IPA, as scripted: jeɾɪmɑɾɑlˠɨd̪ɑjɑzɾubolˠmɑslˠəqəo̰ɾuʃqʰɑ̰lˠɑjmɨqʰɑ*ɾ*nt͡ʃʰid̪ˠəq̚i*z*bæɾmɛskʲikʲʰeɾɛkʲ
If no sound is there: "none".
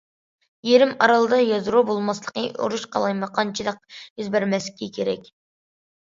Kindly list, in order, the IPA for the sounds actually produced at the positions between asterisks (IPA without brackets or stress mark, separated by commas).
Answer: none, z